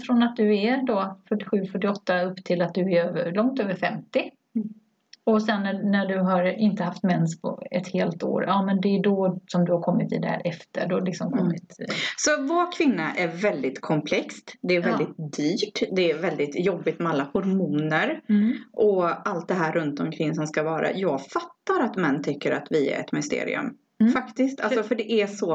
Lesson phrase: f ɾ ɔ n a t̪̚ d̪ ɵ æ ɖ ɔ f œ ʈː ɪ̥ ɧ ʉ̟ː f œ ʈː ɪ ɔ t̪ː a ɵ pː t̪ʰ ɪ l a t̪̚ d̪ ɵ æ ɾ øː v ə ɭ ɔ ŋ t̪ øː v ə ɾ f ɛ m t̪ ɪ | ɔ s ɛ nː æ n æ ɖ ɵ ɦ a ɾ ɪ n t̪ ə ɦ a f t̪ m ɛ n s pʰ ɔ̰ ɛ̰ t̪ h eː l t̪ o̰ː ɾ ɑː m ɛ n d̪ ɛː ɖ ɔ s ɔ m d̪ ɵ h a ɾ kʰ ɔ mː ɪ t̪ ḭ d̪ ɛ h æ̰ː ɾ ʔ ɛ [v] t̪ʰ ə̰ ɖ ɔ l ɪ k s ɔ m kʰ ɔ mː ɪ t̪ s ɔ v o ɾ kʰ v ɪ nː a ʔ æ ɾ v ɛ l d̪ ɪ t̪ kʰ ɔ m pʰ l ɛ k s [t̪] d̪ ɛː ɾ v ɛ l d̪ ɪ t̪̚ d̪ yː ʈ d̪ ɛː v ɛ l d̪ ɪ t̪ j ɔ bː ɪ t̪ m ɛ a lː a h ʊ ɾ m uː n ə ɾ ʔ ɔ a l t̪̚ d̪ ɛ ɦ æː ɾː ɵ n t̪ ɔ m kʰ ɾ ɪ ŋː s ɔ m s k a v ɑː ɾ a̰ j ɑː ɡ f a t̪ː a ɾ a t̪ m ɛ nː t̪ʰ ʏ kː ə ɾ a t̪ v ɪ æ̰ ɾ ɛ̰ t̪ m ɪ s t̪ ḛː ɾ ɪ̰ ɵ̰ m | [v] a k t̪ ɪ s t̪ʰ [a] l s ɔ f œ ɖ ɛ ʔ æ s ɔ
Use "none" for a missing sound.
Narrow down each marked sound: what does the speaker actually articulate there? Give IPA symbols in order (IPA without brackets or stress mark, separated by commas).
f, t̪, f, a